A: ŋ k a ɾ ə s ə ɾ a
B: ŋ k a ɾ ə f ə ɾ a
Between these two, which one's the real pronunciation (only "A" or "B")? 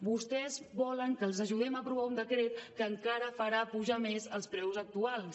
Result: B